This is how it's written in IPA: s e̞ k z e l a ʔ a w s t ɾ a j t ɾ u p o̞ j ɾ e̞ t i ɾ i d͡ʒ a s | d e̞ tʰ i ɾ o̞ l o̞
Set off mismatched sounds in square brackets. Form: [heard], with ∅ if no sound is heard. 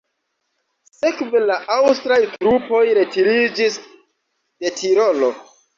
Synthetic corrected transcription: s e̞ k [v] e l a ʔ a w s t ɾ a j t ɾ u p o̞ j ɾ e̞ t i ɾ i d͡ʒ [i] s | d e̞ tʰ i ɾ o̞ l o̞